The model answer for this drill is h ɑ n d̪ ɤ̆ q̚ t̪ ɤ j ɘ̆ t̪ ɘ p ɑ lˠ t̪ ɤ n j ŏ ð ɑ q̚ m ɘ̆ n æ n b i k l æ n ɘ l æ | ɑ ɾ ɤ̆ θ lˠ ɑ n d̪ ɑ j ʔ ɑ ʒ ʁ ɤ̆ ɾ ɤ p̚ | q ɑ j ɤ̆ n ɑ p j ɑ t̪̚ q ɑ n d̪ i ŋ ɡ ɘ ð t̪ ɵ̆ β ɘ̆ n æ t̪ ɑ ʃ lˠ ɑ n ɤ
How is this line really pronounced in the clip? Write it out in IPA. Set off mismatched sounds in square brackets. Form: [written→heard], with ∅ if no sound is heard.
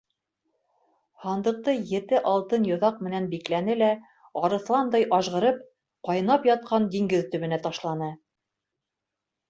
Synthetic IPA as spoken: h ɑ n d̪ ɤ̆ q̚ t̪ ɤ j ɘ̆ t̪ ɘ [p→ʔ] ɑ lˠ t̪ ɤ n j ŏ ð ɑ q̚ m ɘ̆ n æ n b i k l æ n ɘ l æ | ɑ ɾ ɤ̆ θ lˠ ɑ n d̪ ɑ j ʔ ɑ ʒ ʁ ɤ̆ ɾ ɤ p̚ | q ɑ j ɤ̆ n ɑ p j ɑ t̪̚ q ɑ n d̪ i ŋ ɡ ɘ ð t̪ ɵ̆ β ɘ̆ n æ t̪ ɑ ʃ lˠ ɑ n ɤ